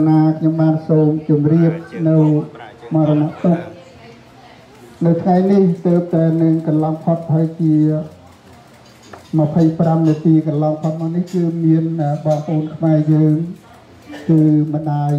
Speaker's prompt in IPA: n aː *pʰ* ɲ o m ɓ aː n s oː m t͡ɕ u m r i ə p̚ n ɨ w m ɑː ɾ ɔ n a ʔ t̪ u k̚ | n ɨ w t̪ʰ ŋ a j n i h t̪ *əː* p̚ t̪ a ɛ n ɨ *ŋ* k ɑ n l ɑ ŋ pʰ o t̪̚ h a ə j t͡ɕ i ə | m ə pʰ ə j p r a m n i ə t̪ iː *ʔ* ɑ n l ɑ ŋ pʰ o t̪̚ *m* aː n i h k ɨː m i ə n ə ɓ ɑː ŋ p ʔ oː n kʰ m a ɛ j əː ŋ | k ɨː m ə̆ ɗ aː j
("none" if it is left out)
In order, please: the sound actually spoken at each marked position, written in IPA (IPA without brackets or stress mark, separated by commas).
kʰ, əː, ŋ, k, m